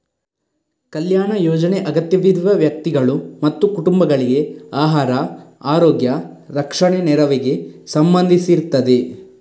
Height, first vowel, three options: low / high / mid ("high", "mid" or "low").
low